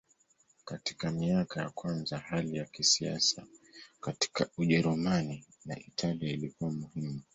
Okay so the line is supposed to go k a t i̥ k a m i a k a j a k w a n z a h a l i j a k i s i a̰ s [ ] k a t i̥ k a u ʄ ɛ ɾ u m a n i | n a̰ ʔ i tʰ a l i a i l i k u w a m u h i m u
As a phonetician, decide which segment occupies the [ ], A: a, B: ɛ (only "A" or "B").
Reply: A